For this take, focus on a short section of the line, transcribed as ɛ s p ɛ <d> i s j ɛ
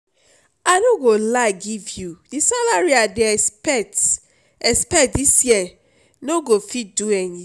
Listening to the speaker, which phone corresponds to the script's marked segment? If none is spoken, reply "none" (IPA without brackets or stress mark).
d